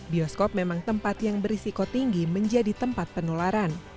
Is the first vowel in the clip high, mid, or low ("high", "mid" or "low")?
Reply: high